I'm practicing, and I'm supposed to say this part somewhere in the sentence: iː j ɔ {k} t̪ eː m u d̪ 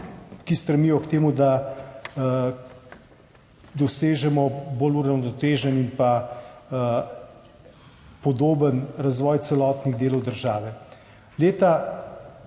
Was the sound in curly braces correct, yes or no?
yes